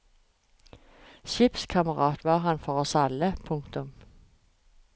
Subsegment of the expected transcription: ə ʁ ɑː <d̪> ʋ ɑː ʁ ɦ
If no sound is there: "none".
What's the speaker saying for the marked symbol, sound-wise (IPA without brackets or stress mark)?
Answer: t̪